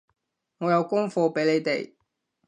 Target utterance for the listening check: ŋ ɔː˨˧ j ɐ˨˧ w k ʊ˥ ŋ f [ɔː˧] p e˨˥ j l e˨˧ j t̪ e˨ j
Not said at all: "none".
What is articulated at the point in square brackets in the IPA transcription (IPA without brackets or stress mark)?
ɔː˧